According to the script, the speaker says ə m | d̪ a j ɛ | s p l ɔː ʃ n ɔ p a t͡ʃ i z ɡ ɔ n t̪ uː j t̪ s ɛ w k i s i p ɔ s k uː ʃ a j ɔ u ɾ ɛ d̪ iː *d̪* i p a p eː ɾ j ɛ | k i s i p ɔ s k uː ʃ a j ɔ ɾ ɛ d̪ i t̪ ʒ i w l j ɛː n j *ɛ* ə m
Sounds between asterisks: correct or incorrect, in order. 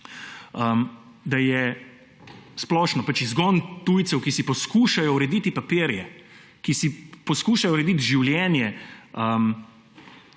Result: incorrect: t̪, correct

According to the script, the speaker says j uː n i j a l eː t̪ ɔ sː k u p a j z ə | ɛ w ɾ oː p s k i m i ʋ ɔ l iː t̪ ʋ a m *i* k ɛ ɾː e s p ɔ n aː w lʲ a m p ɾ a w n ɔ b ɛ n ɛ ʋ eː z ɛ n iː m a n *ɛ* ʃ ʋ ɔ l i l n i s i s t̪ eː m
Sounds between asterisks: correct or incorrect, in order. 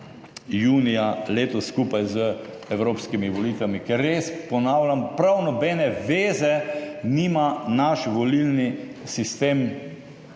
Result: correct, incorrect: a

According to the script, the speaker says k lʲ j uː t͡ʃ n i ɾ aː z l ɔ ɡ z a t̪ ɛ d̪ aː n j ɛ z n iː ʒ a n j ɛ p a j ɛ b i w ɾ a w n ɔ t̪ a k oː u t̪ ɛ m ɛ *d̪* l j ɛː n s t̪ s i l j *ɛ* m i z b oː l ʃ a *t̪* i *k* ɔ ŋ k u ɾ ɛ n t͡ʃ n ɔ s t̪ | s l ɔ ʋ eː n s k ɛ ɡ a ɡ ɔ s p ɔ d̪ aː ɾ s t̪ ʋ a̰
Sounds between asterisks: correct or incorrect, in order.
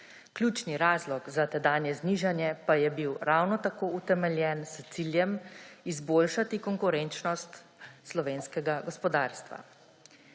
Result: incorrect: none, correct, correct, correct

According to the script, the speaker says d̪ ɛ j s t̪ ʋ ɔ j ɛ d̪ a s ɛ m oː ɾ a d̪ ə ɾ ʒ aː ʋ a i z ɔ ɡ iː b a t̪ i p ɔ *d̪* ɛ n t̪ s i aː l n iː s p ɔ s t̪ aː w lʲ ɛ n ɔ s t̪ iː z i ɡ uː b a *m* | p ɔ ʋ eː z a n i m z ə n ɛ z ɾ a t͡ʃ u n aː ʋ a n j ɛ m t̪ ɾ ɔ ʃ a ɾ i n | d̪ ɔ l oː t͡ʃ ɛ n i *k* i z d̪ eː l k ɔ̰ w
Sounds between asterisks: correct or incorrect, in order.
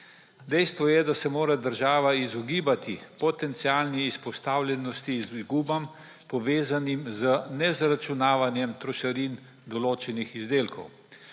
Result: incorrect: t̪, correct, incorrect: x

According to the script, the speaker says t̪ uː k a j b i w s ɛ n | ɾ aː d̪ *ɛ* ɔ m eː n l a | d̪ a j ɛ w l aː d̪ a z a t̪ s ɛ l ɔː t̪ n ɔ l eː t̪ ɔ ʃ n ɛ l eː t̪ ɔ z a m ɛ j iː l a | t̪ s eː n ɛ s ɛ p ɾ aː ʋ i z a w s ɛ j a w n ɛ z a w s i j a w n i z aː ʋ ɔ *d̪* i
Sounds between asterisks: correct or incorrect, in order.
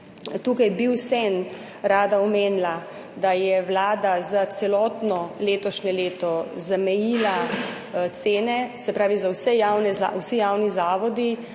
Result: incorrect: a, correct

